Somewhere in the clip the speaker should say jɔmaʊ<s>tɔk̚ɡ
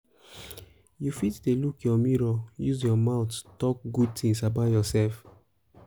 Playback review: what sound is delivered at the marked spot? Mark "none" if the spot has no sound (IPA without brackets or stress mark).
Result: t